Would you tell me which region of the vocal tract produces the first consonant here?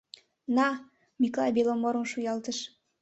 tongue tip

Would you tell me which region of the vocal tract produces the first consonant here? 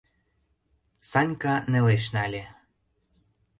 tongue tip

